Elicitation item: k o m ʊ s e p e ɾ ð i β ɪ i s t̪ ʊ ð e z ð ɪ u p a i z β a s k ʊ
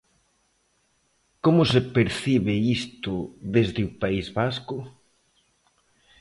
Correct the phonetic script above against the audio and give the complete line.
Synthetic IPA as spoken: k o m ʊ s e p e ɾ θ i β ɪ i s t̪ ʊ ð e z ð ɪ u p a i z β a s k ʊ